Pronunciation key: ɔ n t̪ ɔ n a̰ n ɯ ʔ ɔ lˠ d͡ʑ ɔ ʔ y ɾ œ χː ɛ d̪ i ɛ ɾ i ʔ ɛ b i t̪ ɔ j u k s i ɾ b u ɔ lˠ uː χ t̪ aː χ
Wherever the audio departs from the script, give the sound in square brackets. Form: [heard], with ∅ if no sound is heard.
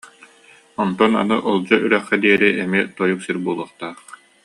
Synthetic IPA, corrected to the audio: ɔ n t̪ ɔ n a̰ n ɯ ʔ ɔ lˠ d͡ʑ ɔ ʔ y ɾ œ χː ɛ d̪ i ɛ ɾ i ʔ ɛ [m] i t̪ ɔ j u k s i ɾ b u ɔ lˠ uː χ t̪ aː χ